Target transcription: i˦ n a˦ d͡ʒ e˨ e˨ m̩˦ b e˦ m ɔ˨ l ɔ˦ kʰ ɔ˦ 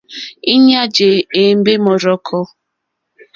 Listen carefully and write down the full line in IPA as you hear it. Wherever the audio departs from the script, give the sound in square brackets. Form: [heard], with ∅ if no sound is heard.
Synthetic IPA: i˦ [ɲ] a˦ d͡ʒ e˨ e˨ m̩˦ b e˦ m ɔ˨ [ɾ] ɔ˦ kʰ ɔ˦